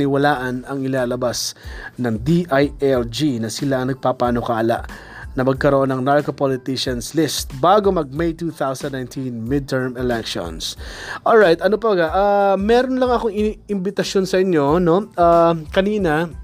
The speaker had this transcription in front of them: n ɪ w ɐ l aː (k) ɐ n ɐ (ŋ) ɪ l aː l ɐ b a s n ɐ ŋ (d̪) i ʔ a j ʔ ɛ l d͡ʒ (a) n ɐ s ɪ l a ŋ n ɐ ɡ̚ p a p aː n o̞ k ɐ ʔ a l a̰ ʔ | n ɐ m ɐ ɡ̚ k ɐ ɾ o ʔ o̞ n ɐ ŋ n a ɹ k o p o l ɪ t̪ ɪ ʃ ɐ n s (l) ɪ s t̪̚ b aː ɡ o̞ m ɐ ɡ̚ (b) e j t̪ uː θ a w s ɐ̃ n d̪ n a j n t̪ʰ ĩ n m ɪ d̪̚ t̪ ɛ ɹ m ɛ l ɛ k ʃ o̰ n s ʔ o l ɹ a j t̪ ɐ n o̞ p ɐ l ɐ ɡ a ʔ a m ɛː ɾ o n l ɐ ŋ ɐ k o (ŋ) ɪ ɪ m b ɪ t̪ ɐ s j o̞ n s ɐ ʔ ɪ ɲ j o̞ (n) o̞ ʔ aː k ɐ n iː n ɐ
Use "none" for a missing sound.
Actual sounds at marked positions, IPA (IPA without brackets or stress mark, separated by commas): ʔ, ŋ, d̪, i, l, m, ŋ, n